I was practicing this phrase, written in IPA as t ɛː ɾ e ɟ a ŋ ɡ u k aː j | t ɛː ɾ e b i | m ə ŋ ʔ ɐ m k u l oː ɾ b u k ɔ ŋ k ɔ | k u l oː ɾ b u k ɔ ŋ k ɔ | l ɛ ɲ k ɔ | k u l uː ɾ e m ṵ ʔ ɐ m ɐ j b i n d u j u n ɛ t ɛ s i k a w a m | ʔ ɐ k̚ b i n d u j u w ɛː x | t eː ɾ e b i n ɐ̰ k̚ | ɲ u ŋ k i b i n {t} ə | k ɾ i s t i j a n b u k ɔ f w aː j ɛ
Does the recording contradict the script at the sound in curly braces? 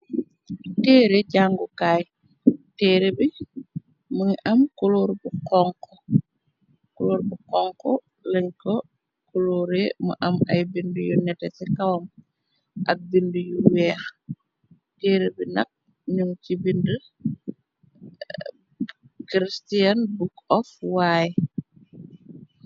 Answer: yes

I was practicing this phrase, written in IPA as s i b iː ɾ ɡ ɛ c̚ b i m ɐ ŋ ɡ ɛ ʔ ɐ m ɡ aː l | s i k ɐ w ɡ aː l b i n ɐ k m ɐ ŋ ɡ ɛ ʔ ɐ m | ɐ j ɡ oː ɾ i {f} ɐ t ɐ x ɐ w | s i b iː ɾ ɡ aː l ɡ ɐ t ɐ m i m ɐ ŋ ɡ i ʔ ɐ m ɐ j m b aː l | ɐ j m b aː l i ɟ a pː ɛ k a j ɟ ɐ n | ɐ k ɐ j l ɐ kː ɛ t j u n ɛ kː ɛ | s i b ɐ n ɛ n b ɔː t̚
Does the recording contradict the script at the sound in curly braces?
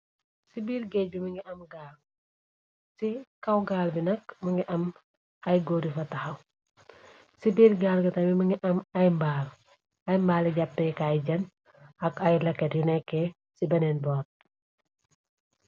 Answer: no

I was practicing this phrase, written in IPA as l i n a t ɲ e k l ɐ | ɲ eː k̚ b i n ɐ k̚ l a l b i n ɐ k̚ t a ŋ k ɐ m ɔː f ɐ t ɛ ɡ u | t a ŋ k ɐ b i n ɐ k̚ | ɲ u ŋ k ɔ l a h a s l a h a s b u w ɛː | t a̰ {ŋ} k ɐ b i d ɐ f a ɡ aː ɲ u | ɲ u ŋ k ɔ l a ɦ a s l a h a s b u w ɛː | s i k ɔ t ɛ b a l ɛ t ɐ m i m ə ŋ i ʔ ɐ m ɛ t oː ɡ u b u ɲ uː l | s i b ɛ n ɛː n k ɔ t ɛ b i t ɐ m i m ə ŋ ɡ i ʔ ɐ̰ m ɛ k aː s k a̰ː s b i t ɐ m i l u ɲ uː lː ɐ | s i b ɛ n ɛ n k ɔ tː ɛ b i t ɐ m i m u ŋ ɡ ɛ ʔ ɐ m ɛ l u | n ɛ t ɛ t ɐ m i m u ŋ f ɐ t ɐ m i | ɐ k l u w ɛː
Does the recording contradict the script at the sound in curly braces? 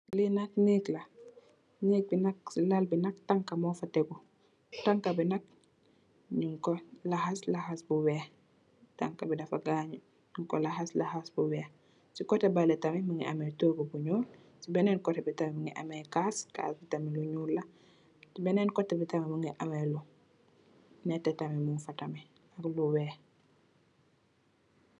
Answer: no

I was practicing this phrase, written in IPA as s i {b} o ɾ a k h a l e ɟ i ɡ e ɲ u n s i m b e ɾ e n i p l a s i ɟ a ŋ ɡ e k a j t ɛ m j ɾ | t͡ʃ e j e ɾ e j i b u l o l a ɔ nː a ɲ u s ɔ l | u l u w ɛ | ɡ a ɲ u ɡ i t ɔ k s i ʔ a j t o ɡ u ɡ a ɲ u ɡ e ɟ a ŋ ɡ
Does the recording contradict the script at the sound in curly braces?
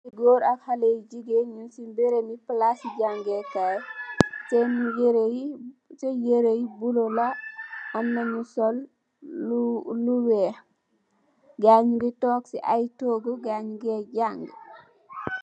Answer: yes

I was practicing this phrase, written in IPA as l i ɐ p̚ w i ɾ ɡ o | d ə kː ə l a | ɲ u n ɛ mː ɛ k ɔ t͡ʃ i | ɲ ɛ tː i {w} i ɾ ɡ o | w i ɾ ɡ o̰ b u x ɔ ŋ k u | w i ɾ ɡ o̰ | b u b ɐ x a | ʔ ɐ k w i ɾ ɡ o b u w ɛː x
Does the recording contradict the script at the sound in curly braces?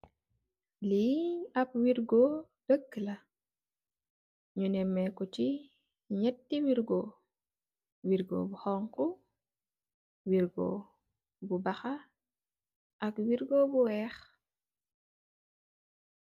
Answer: no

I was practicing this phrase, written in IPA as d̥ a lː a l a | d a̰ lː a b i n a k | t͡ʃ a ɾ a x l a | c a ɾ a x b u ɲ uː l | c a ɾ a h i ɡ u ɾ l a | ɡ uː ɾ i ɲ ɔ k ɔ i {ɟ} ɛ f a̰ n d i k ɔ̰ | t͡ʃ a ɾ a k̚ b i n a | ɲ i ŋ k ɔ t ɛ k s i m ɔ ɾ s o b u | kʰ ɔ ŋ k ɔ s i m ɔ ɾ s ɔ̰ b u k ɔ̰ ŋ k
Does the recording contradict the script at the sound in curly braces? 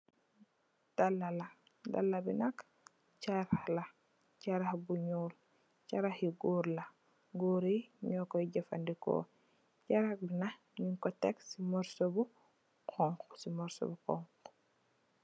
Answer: no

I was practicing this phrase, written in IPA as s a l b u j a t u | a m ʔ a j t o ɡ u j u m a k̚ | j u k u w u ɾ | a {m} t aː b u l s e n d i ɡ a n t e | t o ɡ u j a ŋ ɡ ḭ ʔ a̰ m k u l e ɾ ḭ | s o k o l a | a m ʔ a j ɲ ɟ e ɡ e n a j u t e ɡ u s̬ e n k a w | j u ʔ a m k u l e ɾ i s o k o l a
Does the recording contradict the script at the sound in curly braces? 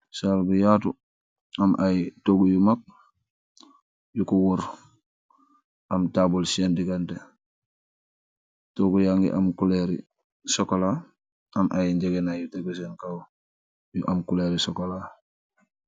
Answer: no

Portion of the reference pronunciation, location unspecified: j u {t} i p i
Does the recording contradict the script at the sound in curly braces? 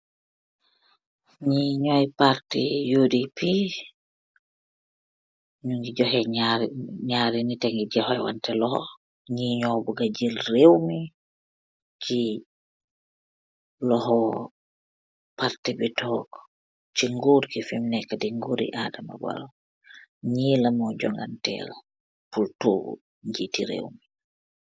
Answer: yes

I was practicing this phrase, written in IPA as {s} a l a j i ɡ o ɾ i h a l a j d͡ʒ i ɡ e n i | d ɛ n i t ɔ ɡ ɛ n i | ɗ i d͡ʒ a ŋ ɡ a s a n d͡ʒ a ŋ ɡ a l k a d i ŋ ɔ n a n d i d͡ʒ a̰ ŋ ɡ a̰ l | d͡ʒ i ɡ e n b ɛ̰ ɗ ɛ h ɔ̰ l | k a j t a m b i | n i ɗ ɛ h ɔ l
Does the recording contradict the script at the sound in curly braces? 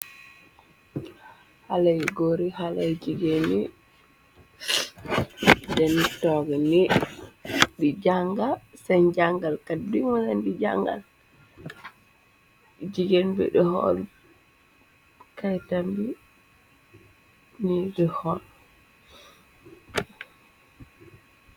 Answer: yes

